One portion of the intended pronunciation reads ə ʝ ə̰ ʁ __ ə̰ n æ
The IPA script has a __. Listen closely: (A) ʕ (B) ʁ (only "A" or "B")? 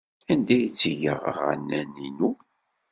B